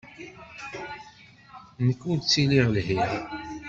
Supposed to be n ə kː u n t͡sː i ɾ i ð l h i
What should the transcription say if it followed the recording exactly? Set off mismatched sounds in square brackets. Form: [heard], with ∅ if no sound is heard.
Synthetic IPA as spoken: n ə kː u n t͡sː i [l] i [ʁ] l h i